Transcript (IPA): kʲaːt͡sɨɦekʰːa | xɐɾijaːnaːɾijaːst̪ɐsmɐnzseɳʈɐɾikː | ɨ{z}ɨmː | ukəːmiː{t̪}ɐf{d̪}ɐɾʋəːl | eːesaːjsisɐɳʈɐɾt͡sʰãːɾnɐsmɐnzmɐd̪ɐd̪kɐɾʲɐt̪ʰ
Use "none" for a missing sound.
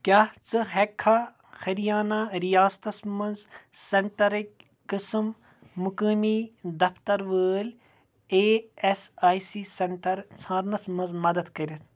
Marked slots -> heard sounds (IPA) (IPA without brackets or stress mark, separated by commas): s, d̪, t̪